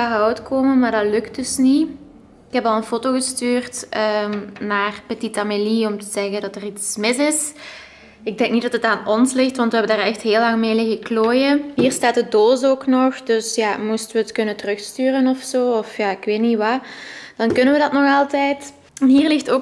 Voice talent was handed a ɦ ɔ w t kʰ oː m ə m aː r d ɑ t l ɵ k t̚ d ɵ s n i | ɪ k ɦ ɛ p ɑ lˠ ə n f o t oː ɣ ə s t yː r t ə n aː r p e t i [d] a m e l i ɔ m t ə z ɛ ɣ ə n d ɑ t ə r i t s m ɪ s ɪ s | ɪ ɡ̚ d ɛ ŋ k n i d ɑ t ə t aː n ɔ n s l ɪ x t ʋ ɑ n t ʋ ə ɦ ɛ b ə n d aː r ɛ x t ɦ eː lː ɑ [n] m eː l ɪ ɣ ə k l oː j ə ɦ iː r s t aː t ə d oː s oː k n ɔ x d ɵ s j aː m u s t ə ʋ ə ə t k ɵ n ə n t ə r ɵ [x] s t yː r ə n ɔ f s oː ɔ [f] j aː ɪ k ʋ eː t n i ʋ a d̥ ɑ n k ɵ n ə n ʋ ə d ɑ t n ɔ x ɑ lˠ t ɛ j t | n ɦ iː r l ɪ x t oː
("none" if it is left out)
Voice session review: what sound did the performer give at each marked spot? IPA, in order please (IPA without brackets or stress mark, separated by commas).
t, ŋ, x, f